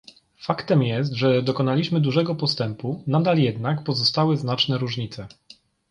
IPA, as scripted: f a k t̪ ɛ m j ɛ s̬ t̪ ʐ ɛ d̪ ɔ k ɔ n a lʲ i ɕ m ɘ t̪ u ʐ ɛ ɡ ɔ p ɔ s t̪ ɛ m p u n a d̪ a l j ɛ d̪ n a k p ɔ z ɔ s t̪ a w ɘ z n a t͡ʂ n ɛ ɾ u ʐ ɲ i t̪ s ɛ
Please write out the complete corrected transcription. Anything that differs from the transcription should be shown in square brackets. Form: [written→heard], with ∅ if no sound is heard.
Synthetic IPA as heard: f a k t̪ ɛ m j ɛ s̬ t̪ ʐ ɛ d̪ ɔ k ɔ n a lʲ i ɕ m ɘ [t̪→d̪] u ʐ ɛ ɡ ɔ p ɔ s t̪ ɛ m p u n a d̪ a l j ɛ d̪ n a k p ɔ z ɔ s t̪ a w ɘ z n a t͡ʂ n ɛ ɾ u ʐ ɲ i t̪ s ɛ